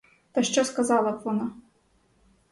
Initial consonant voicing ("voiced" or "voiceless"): voiceless